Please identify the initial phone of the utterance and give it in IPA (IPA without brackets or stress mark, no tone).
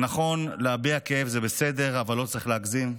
n